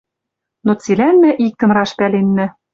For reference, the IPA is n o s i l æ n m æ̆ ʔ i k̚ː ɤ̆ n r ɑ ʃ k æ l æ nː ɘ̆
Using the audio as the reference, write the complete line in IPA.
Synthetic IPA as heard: n o t͡s i l æ n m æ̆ ʔ i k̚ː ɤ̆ n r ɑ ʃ p æ l e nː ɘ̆